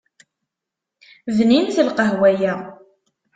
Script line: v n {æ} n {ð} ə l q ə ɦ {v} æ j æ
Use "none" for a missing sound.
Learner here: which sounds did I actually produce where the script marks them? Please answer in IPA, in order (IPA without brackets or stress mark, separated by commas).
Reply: i, θ, w